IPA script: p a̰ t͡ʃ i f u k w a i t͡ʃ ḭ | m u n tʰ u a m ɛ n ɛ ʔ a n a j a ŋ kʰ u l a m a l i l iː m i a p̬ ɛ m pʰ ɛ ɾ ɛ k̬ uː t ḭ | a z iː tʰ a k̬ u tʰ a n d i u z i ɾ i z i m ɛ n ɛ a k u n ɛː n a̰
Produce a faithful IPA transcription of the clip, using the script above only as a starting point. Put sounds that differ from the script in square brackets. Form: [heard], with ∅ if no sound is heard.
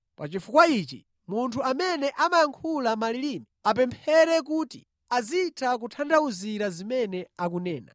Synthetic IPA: p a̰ t͡ʃ i f u k w a i t͡ʃ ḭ | m u n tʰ u a m ɛ n ɛ ʔ a [m] a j a ŋ kʰ u l a m a l i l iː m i a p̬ ɛ m pʰ ɛ ɾ ɛ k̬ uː t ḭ | a z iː tʰ a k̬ u tʰ a n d [a] u z i ɾ [a] z i m ɛ n ɛ a k u n ɛː n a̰